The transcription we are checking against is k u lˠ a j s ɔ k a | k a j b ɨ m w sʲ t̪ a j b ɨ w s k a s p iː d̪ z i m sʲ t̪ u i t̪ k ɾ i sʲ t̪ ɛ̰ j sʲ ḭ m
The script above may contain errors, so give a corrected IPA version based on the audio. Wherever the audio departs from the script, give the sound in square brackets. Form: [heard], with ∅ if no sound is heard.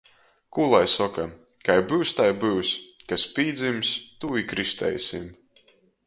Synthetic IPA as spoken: k u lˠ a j s ɔ k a | k a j b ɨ [∅] w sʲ t̪ a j b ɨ w s k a s p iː d̪ z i m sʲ t̪ u i [∅] k ɾ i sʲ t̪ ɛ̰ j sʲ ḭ m